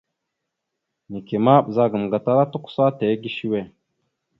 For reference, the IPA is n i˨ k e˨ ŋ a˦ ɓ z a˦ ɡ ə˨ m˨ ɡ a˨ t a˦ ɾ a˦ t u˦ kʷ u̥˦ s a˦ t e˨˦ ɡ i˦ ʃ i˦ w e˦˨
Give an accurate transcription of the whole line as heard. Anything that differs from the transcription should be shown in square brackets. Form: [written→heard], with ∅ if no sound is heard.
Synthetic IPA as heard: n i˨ k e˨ [ŋ→m] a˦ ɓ z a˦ ɡ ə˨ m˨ ɡ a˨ t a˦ ɾ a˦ t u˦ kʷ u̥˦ s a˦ t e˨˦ ɡ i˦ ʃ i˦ w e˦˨

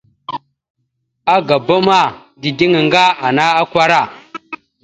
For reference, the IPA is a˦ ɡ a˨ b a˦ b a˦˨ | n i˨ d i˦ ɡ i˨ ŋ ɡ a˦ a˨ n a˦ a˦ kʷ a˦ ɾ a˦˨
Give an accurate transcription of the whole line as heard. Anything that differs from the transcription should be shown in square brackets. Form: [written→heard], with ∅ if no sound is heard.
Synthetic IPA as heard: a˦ ɡ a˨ b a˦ [b→m] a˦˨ | [n→d] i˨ d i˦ [ɡ→ŋ] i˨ ŋ ɡ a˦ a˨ n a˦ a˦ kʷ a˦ ɾ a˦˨

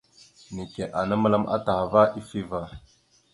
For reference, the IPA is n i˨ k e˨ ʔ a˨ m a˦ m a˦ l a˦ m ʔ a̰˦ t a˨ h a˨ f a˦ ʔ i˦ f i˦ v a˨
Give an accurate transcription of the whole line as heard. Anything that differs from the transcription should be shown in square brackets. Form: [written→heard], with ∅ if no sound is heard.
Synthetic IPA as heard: n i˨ k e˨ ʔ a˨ [m→n] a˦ m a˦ l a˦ m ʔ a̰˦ t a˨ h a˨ [f→v] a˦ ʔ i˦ f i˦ v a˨

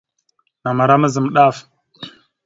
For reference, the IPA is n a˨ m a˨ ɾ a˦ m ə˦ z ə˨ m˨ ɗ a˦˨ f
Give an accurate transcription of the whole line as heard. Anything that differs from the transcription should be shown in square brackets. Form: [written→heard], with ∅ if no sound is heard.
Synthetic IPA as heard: n a˨ m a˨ ɾ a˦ m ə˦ z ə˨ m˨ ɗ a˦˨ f

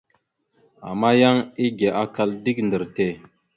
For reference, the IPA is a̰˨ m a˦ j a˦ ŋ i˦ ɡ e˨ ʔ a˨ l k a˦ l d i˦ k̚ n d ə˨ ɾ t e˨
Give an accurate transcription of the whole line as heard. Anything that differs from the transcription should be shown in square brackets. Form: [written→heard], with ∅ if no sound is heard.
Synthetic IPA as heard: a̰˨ m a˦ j a˦ ŋ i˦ ɡ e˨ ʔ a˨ [l→∅] k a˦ l d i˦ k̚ n d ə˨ ɾ t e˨

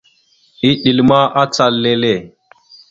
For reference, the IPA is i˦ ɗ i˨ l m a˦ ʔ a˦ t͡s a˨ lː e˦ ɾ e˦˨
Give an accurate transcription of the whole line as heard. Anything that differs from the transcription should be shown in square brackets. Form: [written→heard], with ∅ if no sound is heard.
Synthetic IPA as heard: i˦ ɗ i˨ l m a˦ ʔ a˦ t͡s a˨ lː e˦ [ɾ→l] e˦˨

